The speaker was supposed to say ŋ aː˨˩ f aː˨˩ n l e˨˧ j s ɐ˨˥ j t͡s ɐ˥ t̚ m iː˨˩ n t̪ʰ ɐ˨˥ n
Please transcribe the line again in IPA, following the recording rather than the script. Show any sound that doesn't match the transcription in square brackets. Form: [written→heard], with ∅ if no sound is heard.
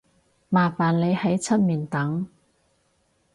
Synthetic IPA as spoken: [ŋ→m] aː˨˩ f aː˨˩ n l e˨˧ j [s→h] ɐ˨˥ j [t͡s→t͡sʰ] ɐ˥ t̚ m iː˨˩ n [t̪ʰ→t̪] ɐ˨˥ [n→ŋ]